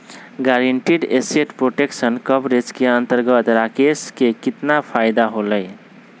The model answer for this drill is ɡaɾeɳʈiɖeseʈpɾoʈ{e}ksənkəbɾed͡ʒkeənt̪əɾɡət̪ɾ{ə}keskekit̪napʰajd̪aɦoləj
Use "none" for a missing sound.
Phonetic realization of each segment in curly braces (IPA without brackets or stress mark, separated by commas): e, a